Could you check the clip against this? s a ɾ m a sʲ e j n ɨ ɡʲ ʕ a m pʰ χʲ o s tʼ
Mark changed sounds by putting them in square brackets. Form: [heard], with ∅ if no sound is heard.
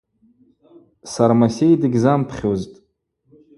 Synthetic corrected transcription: s a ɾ m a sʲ e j [d] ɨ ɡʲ [z] a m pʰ χʲ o [z] tʼ

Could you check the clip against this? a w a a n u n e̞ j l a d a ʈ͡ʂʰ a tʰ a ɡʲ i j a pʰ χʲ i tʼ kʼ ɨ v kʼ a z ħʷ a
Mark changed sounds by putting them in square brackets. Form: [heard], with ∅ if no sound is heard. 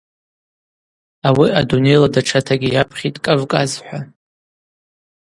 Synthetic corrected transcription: a w [i] a [d] u n e̞ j l a d a ʈ͡ʂʰ a tʰ a ɡʲ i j a pʰ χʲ i tʼ kʼ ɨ v kʼ a z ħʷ a

